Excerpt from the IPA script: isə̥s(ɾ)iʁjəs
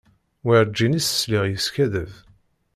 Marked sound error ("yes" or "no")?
yes